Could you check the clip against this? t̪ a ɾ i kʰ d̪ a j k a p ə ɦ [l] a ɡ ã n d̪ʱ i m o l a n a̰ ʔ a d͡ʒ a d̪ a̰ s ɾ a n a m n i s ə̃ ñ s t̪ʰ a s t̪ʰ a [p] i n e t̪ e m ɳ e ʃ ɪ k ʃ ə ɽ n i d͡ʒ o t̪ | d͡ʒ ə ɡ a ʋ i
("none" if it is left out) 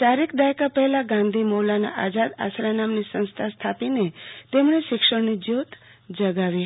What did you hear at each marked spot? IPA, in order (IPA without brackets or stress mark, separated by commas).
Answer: l, p